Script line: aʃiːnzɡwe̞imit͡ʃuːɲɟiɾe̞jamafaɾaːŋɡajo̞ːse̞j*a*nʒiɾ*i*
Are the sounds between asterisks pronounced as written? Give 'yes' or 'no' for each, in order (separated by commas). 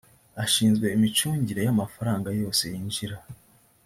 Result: no, no